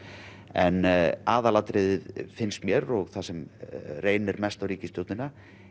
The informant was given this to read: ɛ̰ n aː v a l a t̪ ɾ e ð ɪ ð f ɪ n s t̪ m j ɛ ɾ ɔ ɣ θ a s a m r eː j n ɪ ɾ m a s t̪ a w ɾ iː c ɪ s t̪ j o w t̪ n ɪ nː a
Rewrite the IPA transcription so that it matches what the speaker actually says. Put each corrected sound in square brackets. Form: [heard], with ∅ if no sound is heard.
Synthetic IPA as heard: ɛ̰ n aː [ð] a l a t̪ ɾ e ð ɪ ð f ɪ n s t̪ m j ɛ ɾ ɔ ɣ θ a s [ɛ] m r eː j n ɪ ɾ m [ɛ] s t̪ a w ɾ iː c ɪ s t̪ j o w t̪ n ɪ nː a